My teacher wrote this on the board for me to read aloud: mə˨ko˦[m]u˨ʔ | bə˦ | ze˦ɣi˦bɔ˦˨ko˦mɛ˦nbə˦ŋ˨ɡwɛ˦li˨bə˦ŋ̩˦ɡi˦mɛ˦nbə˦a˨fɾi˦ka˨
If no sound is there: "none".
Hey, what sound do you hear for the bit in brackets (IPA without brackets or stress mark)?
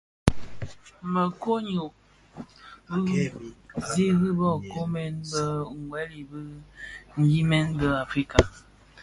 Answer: ɲ